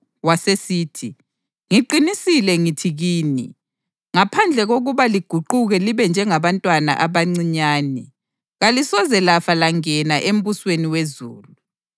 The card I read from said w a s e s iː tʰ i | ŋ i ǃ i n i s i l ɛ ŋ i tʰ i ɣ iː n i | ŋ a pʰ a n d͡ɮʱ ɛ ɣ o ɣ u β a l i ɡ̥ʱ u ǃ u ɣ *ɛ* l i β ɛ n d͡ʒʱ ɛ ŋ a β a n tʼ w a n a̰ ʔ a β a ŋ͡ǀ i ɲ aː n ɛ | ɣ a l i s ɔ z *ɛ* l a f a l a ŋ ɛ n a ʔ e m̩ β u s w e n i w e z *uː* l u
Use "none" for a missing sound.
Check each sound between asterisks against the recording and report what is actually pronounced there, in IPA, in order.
ɛ, ɛ, uː

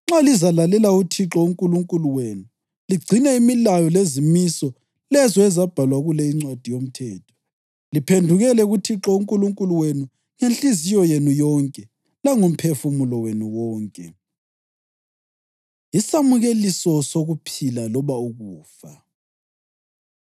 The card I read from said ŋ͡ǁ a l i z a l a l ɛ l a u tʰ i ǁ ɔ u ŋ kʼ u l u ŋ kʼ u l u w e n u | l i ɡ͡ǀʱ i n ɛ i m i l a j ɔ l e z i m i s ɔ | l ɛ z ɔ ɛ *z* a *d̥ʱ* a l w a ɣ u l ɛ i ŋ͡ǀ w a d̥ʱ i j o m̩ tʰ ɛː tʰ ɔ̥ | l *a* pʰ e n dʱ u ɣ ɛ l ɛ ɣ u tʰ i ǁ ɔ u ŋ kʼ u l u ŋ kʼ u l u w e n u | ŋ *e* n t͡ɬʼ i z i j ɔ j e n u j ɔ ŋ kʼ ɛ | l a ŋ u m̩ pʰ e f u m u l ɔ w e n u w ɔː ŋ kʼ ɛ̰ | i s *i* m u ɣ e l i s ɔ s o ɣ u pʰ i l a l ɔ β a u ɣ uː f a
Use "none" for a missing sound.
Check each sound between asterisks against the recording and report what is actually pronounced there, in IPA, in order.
z, b̥ʱ, i, e, a

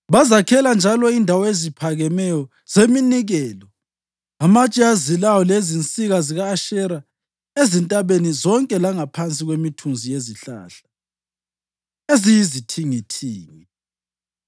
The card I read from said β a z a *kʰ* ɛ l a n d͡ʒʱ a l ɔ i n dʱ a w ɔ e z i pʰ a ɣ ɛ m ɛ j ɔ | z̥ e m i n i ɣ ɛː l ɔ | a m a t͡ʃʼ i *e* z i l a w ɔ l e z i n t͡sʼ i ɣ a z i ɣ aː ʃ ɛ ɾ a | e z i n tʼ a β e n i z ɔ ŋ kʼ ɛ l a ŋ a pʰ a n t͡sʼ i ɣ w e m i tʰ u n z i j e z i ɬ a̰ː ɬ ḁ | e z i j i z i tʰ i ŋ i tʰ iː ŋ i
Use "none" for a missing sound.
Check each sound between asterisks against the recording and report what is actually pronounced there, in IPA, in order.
kʰ, a

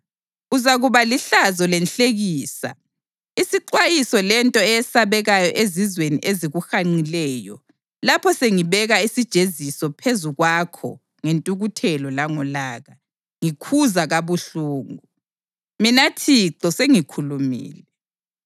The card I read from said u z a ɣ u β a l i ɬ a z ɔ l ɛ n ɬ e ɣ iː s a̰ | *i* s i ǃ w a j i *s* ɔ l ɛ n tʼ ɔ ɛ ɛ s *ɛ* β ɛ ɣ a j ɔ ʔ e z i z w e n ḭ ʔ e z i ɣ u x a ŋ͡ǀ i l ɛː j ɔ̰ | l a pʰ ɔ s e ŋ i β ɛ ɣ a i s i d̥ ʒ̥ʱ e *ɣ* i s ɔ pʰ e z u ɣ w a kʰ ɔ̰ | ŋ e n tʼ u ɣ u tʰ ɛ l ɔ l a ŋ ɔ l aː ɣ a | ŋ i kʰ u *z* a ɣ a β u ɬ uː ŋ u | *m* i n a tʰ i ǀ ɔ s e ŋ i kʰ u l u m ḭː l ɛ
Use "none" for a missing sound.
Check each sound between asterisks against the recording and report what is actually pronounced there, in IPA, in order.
i, s, a, z, z, m

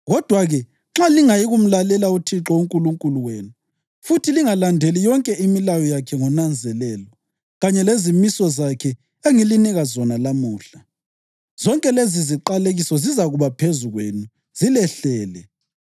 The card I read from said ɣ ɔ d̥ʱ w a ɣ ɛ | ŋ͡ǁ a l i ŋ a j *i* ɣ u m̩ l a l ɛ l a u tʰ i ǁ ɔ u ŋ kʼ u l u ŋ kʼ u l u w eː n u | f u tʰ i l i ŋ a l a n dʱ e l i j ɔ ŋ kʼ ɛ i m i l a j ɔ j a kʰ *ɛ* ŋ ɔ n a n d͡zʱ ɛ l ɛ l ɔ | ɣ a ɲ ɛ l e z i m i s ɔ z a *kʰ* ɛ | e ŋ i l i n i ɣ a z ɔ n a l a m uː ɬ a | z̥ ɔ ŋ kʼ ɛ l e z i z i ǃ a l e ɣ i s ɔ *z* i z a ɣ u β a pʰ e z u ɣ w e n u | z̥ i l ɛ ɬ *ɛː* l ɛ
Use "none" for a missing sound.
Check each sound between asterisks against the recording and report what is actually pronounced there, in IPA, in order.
i, ɛ, kʰ, z, ɛː

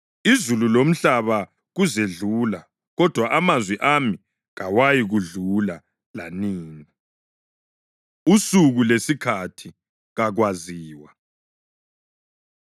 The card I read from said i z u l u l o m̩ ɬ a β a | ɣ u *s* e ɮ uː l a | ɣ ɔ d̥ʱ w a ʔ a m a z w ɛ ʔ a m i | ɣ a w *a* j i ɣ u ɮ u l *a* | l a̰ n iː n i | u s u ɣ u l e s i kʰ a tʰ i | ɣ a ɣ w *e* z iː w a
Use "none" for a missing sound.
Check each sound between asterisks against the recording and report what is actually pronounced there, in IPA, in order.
z, a, a, a

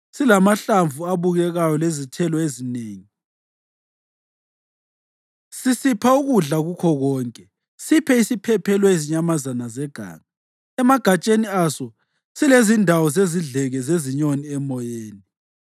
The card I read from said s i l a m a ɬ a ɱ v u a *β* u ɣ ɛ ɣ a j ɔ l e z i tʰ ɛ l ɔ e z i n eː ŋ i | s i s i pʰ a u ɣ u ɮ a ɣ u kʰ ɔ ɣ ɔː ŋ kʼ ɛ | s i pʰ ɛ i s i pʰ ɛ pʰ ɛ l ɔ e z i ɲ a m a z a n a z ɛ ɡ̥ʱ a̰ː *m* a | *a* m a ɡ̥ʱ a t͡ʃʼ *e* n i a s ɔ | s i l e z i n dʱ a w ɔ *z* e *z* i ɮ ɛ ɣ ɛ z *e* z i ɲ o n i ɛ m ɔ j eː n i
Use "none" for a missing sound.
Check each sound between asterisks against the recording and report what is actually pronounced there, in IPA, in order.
β, ŋ, ɛ, e, z, z, e

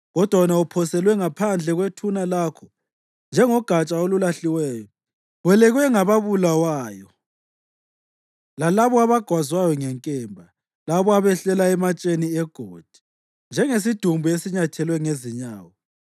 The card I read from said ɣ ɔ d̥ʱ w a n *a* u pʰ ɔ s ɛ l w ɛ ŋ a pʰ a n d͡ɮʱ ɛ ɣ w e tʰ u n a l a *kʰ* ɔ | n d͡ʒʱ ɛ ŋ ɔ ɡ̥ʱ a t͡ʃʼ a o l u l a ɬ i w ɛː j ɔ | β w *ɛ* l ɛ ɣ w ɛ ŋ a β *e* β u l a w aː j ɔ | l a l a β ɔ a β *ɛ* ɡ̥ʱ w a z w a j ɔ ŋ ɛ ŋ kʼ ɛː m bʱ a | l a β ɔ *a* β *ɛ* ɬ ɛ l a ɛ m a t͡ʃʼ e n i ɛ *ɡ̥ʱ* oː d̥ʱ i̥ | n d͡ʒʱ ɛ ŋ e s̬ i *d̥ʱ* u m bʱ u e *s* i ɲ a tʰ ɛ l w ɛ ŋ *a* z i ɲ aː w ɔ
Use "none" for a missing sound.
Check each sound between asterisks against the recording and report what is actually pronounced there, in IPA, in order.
a, kʰ, ɛ, a, a, a, ɛ, ɡ̥ʱ, d̥ʱ, s, e

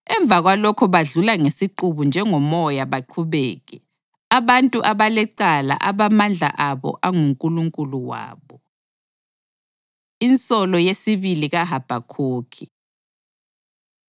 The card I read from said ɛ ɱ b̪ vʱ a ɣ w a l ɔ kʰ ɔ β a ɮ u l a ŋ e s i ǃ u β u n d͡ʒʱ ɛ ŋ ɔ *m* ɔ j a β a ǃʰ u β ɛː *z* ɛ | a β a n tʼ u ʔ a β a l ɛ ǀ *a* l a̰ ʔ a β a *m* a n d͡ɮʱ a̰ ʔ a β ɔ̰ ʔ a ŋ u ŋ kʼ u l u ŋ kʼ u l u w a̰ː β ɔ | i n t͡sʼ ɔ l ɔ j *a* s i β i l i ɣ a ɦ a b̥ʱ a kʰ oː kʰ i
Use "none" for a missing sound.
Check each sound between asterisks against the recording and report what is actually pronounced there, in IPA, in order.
m, ɣ, a, m, e

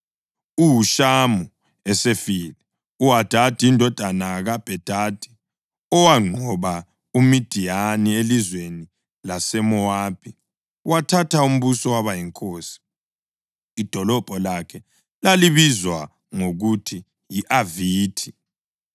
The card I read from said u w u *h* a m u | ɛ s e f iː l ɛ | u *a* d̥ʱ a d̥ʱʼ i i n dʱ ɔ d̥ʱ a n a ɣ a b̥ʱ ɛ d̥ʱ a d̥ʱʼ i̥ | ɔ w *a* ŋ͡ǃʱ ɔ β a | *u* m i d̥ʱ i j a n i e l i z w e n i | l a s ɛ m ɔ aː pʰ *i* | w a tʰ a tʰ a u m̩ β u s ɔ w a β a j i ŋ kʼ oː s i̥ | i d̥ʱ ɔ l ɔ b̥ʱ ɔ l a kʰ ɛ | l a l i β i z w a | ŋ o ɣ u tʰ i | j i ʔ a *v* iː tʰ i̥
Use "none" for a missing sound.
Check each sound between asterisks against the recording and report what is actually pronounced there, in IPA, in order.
ʃ, a, a, u, i, v

